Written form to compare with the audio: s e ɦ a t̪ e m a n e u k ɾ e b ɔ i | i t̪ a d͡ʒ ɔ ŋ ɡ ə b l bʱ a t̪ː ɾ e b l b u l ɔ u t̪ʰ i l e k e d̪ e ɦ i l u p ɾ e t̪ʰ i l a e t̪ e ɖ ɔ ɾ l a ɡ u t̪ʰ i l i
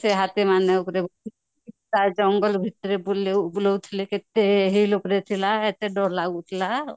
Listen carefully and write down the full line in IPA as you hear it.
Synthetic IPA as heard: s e ɦ a t̪ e m a n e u k ɾ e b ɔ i | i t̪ a d͡ʒ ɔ ŋ ɡ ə l bʱ i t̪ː ɾ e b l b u l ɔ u t̪ʰ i l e k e t̪ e ɦ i l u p ɾ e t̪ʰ i l a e t̪ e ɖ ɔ ɾ l a ɡ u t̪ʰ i l a

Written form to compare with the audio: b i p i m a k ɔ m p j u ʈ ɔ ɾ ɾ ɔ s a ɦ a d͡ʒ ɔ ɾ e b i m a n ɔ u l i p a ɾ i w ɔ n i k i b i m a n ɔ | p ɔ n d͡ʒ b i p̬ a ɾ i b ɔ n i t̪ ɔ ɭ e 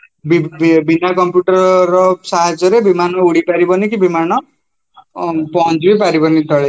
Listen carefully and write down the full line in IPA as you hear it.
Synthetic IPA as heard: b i b i n a k ɔ m p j u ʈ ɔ ɾ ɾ ɔ s a ɦ a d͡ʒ ɔ ɾ e b i m a n ɔ u ɽ i p a ɾ i b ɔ n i k i b i m a n ɔ | p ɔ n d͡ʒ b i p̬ a ɾ i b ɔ n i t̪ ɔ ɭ e

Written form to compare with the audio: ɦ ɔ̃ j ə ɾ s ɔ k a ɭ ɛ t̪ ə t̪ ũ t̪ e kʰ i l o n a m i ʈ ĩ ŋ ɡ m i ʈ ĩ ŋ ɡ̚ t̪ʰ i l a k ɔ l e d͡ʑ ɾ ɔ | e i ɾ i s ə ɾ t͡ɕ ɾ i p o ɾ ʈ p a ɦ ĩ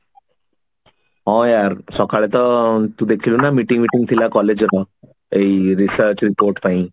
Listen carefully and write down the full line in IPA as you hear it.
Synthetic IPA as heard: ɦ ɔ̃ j a ɾ s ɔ k a ɭ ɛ t̪ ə t̪ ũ d̪ e kʰ i l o n a m i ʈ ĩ ŋ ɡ m i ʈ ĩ ŋ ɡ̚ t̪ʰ i l a k ɔ l e d͡ʑ ɾ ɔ | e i ɾ i s ə ɾ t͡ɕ ɾ i p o ɾ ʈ p a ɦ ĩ

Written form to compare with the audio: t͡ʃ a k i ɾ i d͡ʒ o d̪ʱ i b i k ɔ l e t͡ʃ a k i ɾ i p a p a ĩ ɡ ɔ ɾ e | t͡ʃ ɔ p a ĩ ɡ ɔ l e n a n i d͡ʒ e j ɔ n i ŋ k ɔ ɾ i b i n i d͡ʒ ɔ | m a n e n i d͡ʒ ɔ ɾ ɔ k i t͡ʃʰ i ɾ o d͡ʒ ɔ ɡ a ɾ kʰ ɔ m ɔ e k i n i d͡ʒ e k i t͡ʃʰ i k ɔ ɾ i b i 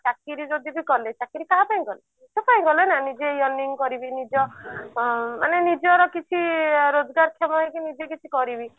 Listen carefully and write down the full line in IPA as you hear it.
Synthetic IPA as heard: t͡ʃ a k i ɾ i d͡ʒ o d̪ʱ i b i k ɔ l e t͡ʃ a k i ɾ i k a p a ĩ ɡ ɔ l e | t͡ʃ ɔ p a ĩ ɡ ɔ l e n a n i d͡ʒ e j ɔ n i ŋ k ɔ ɾ i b i n i d͡ʒ ɔ | m a n e n i d͡ʒ ɔ ɾ ɔ k i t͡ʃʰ i ɾ o d͡ʒ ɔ ɡ a ɾ kʰ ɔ m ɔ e k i n i d͡ʒ e k i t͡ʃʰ i k ɔ ɾ i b i

